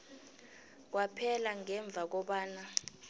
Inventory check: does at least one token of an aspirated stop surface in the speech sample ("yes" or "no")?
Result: yes